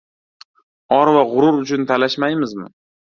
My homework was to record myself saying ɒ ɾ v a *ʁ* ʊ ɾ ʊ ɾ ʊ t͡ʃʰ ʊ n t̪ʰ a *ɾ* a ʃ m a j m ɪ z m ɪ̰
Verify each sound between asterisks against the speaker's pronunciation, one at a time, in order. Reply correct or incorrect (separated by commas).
correct, incorrect